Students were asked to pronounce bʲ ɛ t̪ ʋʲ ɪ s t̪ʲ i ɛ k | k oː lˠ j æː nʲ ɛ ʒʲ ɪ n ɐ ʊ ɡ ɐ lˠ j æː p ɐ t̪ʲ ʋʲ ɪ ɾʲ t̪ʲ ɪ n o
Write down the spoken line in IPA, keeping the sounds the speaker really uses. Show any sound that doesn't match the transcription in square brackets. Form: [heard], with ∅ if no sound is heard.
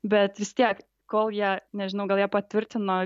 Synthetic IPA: bʲ ɛ t̪ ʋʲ ɪ s t̪ʲ i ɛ k | k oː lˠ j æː nʲ ɛ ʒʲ ɪ n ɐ ʊ ɡ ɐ lˠ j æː p ɐ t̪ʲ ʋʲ ɪ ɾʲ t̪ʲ ɪ n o